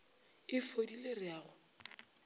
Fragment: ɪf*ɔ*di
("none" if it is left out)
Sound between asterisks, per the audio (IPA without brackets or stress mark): o